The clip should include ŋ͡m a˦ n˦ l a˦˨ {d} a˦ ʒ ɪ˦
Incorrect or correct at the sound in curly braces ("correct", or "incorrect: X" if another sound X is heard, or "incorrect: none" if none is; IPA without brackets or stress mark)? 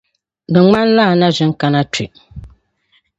incorrect: n